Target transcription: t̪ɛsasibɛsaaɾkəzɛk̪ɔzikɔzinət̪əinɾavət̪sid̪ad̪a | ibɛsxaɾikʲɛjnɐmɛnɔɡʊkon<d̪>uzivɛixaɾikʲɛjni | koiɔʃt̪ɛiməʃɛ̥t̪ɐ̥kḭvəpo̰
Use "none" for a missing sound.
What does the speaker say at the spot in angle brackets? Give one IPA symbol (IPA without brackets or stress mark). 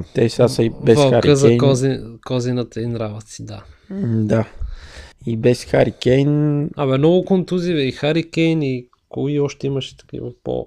t̪